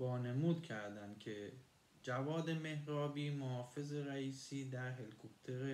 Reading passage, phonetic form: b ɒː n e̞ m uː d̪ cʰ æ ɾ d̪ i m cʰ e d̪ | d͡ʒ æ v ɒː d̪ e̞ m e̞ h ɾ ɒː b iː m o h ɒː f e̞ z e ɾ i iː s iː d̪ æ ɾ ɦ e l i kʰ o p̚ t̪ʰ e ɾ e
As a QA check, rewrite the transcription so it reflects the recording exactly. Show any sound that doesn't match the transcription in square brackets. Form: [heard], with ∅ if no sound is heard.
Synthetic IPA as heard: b ɒː n e̞ m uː d̪ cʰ æ ɾ d̪ [æ] m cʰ e [∅] | d͡ʒ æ v ɒː d̪ e̞ m e̞ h ɾ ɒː b iː m o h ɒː f e̞ z e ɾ [æ] iː s iː d̪ æ ɾ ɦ e l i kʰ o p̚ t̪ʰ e ɾ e